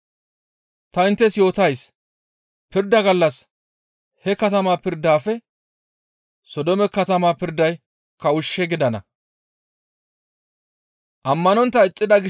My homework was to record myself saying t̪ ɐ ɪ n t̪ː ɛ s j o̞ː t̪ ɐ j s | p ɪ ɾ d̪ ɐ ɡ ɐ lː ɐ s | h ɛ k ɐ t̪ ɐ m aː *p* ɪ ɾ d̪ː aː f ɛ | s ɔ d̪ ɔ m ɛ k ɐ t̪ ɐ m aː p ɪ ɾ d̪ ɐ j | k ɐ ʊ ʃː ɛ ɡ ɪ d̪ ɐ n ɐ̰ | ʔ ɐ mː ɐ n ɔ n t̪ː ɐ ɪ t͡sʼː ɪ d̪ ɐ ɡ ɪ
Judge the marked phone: correct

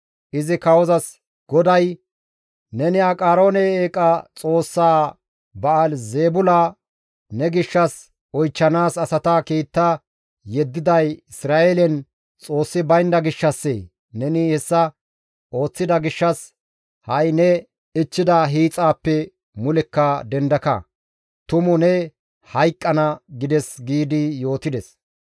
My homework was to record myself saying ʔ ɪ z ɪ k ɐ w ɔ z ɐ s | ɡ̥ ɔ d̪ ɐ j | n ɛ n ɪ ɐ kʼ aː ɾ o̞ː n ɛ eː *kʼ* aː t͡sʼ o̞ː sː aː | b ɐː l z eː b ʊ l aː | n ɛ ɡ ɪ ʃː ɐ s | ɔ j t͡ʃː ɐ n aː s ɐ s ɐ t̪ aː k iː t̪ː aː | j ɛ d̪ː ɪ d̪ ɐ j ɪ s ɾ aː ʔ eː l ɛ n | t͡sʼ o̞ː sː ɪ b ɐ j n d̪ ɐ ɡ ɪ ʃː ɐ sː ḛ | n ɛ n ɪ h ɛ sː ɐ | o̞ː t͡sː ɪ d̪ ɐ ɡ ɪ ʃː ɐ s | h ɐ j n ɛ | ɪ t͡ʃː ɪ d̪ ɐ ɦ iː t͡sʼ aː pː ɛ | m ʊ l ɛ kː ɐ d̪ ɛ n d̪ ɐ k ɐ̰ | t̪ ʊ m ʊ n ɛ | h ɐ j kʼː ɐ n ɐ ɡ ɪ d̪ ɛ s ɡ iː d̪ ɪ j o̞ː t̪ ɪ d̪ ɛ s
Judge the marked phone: correct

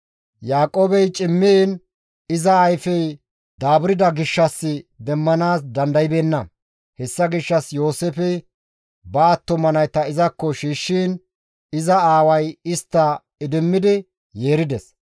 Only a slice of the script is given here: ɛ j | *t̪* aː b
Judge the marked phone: incorrect: d̪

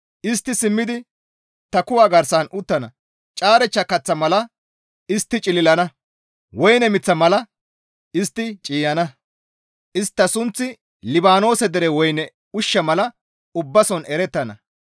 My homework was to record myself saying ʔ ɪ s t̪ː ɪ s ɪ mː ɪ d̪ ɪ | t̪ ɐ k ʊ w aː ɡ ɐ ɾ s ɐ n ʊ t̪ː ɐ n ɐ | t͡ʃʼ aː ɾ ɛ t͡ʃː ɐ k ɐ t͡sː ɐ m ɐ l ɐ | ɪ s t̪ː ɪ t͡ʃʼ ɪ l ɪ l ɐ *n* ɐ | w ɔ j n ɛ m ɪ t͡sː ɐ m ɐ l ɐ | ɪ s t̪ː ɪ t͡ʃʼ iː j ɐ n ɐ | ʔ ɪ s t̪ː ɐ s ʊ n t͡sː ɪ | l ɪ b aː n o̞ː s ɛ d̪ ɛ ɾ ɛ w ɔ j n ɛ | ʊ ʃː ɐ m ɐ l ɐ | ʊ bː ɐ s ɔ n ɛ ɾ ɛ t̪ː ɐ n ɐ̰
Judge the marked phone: correct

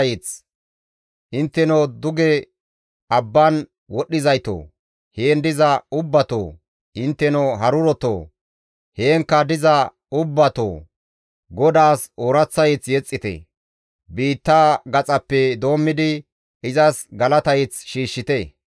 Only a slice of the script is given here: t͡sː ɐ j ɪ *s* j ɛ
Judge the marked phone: incorrect: t͡s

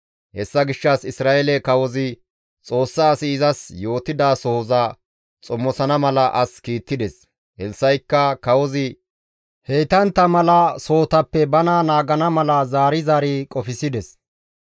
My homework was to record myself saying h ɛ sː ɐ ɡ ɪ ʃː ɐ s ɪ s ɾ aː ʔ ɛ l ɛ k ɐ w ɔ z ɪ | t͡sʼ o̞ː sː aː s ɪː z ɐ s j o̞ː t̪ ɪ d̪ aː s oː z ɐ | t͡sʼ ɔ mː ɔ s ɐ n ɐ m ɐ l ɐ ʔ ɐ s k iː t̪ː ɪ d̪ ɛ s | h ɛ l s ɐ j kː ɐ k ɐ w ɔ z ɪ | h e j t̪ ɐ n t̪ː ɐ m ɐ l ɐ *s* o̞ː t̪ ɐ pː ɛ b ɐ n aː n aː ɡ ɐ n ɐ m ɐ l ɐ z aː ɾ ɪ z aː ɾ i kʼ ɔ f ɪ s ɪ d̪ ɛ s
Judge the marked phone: correct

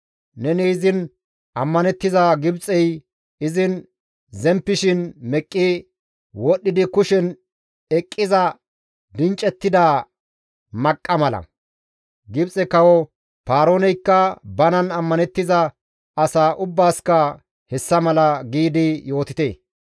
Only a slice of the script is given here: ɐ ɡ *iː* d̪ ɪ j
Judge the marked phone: correct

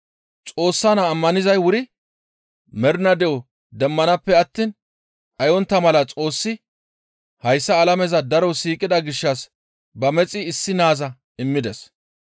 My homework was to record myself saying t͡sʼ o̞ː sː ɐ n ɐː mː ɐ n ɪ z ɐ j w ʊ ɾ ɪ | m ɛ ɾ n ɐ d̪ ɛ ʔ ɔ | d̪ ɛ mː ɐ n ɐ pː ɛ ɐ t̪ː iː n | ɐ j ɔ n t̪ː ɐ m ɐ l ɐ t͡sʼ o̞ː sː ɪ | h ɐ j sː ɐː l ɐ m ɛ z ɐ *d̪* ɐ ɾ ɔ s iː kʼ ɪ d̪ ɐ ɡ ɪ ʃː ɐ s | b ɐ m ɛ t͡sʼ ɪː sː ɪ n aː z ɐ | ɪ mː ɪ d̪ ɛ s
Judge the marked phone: correct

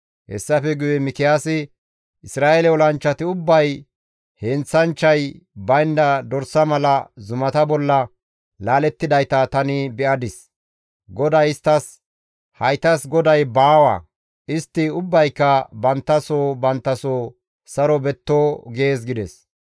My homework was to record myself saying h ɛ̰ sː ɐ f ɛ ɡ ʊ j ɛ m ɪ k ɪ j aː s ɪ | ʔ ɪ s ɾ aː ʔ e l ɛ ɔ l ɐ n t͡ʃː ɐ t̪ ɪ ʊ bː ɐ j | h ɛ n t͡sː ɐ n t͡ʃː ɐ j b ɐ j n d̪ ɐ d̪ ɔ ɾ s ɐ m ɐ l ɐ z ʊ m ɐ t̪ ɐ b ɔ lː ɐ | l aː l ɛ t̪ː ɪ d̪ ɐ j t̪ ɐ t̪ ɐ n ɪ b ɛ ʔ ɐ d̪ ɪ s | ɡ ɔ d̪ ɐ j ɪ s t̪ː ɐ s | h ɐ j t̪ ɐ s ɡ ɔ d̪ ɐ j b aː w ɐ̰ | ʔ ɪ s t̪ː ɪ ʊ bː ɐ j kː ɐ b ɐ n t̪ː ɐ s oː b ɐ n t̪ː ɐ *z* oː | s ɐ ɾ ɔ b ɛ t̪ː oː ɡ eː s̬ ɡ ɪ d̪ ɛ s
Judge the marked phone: incorrect: s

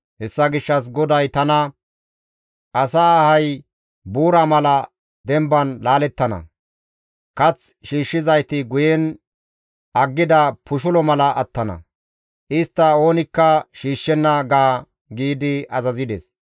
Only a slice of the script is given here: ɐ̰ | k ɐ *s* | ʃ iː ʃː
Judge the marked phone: incorrect: t͡s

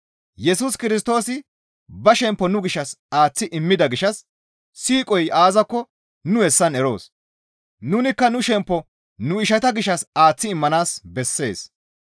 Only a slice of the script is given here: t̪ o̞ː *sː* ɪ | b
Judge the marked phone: incorrect: s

